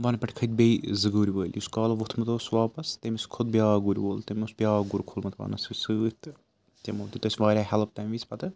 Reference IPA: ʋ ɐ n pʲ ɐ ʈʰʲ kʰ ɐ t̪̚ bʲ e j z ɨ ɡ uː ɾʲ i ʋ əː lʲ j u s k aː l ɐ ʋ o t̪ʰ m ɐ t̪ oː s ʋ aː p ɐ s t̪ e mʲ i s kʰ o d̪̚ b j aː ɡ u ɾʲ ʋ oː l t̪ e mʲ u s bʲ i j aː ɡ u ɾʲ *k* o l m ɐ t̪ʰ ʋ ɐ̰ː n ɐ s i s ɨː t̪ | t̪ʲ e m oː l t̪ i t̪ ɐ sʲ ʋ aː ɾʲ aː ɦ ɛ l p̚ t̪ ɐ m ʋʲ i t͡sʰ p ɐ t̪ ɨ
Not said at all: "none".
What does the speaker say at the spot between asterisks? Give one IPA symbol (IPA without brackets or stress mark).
kʰ